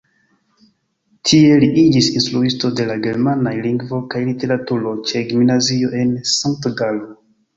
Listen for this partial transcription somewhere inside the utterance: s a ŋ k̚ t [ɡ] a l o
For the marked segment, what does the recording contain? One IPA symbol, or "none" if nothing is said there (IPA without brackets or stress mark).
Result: ɡ